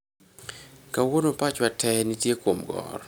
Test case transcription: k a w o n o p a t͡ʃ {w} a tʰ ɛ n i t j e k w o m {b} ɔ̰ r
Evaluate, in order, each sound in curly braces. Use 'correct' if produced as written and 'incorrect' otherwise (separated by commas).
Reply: correct, incorrect